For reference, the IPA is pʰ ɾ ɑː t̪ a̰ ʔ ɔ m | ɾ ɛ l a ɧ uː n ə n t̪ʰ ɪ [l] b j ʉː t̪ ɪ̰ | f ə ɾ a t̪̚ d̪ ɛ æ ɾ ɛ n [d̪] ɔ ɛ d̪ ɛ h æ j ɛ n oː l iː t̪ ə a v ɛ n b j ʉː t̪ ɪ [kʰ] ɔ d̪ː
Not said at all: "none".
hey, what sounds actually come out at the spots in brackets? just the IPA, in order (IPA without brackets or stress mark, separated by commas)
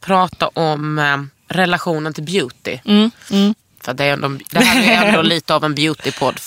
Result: l, d̪, pʰ